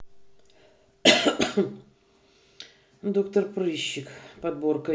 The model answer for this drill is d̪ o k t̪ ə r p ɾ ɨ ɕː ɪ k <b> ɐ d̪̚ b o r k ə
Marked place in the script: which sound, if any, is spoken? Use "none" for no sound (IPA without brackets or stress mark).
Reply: p